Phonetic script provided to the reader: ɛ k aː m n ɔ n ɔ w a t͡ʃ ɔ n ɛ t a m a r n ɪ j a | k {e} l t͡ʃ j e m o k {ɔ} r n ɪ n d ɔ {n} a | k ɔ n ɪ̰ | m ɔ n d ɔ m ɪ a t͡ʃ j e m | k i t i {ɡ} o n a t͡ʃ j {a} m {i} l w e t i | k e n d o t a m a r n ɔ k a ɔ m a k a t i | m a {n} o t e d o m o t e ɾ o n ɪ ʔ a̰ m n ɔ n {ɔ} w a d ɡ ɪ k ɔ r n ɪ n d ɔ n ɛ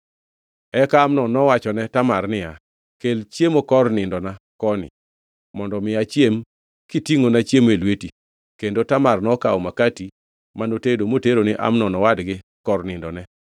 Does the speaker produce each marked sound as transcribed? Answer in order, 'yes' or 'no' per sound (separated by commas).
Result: yes, yes, yes, no, no, no, yes, yes